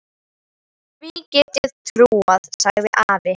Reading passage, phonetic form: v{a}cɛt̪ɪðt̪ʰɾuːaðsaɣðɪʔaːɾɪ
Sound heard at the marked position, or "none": i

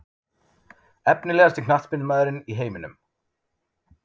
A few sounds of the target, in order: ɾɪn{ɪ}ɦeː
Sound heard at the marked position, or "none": i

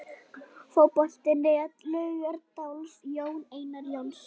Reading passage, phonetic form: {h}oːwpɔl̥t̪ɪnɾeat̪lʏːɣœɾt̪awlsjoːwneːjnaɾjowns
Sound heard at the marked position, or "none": f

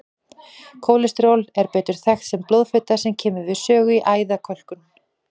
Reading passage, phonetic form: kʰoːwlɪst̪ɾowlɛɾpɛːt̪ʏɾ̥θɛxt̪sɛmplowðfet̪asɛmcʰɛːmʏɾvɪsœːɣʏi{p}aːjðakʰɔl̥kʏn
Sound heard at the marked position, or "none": ʔ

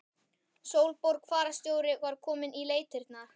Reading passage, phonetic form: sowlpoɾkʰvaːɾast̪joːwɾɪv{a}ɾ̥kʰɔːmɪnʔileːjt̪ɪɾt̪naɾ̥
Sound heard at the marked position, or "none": a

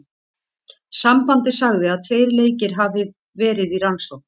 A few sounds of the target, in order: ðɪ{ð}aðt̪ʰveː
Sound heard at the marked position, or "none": none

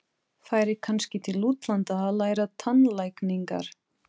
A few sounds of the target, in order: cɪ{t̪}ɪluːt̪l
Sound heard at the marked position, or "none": t̪ʰ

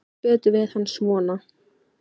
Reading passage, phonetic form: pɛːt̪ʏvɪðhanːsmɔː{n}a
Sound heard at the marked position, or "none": n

